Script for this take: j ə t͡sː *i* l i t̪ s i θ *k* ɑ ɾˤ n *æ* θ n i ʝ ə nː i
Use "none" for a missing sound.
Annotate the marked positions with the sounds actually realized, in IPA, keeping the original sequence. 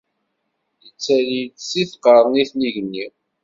æ, q, i

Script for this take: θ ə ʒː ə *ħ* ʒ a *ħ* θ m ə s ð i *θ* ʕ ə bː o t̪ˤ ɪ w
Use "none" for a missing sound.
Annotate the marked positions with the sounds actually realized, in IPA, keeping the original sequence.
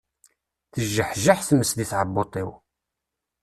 ħ, ħ, θ

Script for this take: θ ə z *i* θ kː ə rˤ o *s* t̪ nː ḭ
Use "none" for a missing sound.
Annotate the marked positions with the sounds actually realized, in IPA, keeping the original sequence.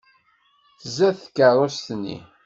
æ, s

